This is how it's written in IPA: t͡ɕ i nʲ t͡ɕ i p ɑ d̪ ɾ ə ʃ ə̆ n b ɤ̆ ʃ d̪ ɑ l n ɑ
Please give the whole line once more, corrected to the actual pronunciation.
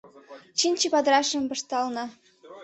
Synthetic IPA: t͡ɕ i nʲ t͡ɕ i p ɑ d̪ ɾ ɑ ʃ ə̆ m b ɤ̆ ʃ t̪ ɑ l n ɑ